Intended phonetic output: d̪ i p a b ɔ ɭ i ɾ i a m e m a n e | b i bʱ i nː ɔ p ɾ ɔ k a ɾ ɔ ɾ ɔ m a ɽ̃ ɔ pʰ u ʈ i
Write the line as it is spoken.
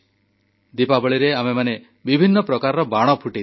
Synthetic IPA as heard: d̪ i p a b ɔ ɭ i ɾ e a m e m a n e | b i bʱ i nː ɔ p ɾ ɔ k a ɾ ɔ ɾ ɔ b a ɽ̃ ɔ pʰ u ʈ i

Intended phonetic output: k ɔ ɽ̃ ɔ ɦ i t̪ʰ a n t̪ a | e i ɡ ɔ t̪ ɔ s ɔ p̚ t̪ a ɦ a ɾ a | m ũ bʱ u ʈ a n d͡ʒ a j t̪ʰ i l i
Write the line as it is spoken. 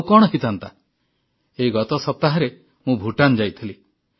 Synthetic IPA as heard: k ɔ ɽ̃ ɔ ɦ i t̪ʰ a n t̪ a | e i ɡ ɔ t̪ ɔ s ɔ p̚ t̪ a ɦ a ɾ e | m ũ bʱ u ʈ a n d͡ʒ a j t̪ʰ i l i

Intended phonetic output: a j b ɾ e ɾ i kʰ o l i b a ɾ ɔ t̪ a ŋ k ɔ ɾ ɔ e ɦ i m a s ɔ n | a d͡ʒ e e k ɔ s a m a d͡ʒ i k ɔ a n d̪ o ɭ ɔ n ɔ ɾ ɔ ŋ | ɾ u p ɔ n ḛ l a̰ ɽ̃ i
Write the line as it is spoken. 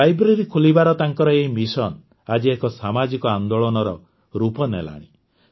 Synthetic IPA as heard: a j b ɾ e ɾ i kʰ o l i b a ɾ ɔ t̪ a ŋ k ɔ ɾ ɔ e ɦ i m i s ɔ n | a d͡ʒ i e k ɔ s a m a d͡ʒ i k ɔ a n d̪ o ɭ ɔ n ɔ ɾ ɔ | ɾ u p ɔ n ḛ l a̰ ɽ̃ i

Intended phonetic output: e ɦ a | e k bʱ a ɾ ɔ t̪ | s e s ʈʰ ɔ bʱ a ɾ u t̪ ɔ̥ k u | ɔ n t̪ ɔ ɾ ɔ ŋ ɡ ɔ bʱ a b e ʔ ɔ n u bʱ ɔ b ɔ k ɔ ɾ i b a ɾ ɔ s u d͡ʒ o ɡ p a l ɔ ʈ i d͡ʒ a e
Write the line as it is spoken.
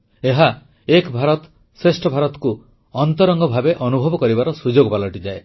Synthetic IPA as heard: e ɦ a | e k bʱ a ɾ ɔ t̪ | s e s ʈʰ ɔ bʱ a ɾ ɔ t̪ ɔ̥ k u | ɔ n t̪ ɔ ɾ ɔ ŋ ɡ ɔ bʱ a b e ʔ ɔ n u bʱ ɔ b ɔ k ɔ ɾ i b a ɾ ɔ s u d͡ʒ o ɡ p a l ɔ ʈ i d͡ʒ a e

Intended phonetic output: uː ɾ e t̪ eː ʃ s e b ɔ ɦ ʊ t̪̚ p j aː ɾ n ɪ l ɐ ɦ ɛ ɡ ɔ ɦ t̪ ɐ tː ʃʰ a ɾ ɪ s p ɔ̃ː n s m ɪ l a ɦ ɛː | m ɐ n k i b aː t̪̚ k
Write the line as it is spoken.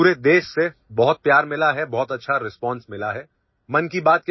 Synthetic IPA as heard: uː ɾ e d̪ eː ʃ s e b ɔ ɦ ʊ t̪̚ p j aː ɾ m ɪ l a ɦ ɛ b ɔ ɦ t̪ ɐ tː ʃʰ a ɾ ɪ s p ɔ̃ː n s m ɪ l a ɦ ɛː | m ɐ n k i b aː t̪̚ k

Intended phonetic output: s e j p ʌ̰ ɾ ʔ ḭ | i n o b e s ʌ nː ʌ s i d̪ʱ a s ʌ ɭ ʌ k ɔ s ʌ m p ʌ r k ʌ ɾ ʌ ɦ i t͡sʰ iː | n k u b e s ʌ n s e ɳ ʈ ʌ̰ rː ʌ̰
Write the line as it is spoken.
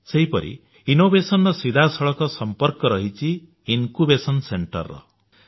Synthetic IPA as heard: s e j p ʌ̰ ɾ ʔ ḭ | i n o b e s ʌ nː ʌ s i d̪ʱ a s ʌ ɭ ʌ k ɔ s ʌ m p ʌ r k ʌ ɾ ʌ ɦ i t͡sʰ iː | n k u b e s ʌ n s e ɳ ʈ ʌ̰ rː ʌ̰

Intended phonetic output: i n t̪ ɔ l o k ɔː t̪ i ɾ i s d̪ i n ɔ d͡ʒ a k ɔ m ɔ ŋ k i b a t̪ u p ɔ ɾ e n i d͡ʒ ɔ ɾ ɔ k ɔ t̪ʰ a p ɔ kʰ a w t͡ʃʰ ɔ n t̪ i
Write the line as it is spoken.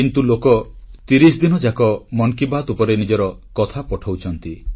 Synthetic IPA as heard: i n t̪ u l o k ɔ t̪ i ɾ i s d̪ i n ɔ d͡ʒ a k ɔ m ɔ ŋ k i b a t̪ u p ɔ ɾ e n i d͡ʒ ɔ ɾ ɔ k ɔ t̪ʰ a p ɔ ʈʰ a w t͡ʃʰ ɔ n t̪ i

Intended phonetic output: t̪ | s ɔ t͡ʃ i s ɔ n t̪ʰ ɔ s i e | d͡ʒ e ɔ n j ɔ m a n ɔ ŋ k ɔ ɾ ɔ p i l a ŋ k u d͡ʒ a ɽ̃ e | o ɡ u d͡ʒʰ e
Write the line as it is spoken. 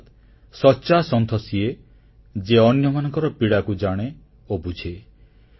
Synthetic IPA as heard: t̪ | s ɔ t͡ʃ a s ɔ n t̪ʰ ɔ s i e | d͡ʒ e ɔ n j ɔ m a n ɔ ŋ k ɔ ɾ ɔ p i ɽ a k u d͡ʒ a ɽ̃ e | o b u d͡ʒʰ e

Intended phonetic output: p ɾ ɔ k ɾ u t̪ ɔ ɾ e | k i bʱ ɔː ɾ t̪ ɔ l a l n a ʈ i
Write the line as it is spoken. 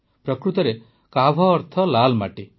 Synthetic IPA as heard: p ɾ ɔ k ɾ u t̪ ɔ ɾ e | k a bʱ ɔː ɾ t̪ʰ ɔ l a l m a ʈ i

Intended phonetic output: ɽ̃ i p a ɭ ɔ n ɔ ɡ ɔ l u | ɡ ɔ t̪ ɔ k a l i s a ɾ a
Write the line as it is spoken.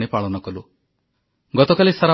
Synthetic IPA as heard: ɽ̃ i p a ɭ ɔ n ɔ k ɔ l u | ɡ ɔ t̪ ɔ k a l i s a ɾ a

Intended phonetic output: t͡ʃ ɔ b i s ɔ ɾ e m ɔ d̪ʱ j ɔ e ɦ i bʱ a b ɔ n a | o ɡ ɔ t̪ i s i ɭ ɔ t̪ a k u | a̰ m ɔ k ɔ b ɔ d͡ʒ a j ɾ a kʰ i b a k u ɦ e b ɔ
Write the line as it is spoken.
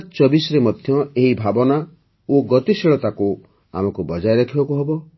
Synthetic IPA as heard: t͡ʃ ɔ b i s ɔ ɾ e m ɔ d̪ʱ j ɔ e ɦ i bʱ a b ɔ n a | o ɡ ɔ t̪ i s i ɭ ɔ t̪ a k u | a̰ m ɔ k u b ɔ d͡ʒ a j ɾ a kʰ i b a k u ɦ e b ɔ

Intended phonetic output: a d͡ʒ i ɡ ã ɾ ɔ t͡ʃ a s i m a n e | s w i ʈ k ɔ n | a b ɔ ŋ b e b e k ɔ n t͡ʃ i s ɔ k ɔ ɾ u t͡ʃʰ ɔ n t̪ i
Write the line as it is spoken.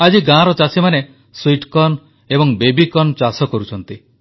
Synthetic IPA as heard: a d͡ʒ i ɡ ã ɾ ɔ t͡ʃ a s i m a n e | s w i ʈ k ɔ n | e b ɔ ŋ b e b i k ɔ n t͡ʃ a s ɔ k ɔ ɾ u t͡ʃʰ ɔ n t̪ i

